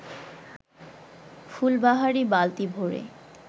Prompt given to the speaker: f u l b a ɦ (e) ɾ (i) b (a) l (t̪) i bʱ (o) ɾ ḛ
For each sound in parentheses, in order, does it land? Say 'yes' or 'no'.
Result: no, yes, yes, yes, yes

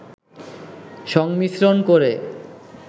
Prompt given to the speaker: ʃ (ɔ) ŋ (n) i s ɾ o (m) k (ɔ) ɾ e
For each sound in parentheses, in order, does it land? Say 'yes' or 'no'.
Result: yes, no, no, no

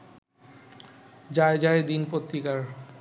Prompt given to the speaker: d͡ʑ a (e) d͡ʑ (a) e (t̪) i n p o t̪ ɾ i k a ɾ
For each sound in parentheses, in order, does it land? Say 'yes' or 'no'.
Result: yes, yes, no

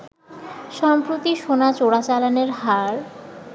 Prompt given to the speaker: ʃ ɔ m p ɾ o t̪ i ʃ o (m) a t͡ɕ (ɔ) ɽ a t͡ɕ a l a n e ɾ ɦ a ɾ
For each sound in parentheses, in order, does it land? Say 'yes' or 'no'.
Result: no, no

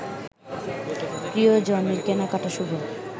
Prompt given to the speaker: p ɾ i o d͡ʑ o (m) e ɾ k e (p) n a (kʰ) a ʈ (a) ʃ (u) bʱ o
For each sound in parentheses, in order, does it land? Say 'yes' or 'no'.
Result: no, no, no, yes, yes

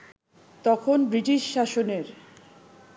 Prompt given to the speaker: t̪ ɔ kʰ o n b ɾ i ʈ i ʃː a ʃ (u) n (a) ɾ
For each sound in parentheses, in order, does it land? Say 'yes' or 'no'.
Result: no, no

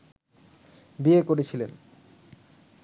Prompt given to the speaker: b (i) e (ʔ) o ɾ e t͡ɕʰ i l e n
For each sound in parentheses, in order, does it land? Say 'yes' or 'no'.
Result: yes, no

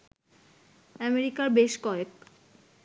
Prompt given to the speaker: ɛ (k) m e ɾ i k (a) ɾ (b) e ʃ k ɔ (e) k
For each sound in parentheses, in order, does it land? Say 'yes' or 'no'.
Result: no, yes, yes, yes

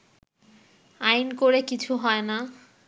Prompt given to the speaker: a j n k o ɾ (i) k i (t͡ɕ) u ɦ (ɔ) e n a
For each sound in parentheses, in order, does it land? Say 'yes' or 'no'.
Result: no, no, yes

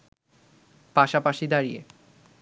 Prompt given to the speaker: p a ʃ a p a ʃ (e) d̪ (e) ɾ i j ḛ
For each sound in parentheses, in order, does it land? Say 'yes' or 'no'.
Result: no, no

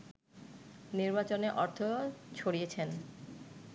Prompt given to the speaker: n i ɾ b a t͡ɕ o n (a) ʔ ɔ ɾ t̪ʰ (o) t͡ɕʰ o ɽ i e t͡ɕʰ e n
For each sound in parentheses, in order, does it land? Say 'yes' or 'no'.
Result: no, yes

